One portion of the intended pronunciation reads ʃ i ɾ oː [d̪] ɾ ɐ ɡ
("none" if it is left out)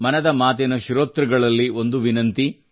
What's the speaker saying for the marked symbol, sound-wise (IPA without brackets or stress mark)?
t̪